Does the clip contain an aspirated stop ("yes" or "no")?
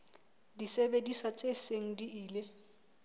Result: no